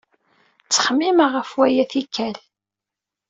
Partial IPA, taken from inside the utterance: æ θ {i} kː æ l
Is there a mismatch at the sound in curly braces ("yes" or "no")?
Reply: no